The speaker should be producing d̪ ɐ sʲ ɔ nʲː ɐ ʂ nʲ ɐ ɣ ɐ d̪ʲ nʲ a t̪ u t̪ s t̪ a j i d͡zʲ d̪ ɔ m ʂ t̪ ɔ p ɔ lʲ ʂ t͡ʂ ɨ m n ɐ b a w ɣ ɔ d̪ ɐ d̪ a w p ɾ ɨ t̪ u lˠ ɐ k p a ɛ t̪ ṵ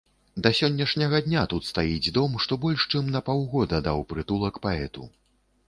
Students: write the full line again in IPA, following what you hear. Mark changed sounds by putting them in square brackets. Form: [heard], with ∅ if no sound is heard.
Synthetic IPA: d̪ ɐ sʲ ɔ nʲː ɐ ʂ nʲ ɐ ɣ ɐ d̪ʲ nʲ a t̪ u t̪ s t̪ a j i d͡zʲ d̪ ɔ m ʂ t̪ ɔ [b] ɔ lʲ ʂ t͡ʂ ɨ m n ɐ [p] a w ɣ ɔ d̪ ɐ d̪ a w p ɾ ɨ t̪ u lˠ ɐ k p a ɛ t̪ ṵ